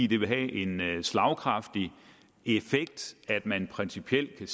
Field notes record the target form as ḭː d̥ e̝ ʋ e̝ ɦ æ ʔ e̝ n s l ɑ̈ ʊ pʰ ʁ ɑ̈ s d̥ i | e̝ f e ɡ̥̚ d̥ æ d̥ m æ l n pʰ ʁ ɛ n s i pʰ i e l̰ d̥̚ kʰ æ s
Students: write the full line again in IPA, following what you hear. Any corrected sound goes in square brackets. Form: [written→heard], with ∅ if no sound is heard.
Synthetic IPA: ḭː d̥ e̝ ʋ e̝ ɦ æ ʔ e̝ n s l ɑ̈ ʊ [pʰ→kʰ] ʁ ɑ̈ [s→f] d̥ i | e̝ f e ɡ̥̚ d̥ æ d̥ m æ [l→∅] n pʰ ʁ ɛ n s i pʰ i e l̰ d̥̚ kʰ æ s